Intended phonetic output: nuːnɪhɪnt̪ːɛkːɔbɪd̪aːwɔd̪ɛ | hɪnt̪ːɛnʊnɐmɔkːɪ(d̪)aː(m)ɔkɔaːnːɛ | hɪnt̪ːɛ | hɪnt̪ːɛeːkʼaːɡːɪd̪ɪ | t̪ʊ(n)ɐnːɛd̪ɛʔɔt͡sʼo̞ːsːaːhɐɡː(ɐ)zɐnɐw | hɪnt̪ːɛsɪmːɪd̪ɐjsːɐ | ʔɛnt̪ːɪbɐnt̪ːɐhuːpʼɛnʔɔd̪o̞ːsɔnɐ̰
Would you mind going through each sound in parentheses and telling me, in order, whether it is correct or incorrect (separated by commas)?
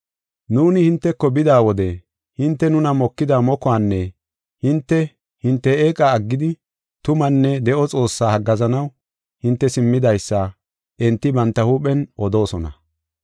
correct, correct, incorrect, correct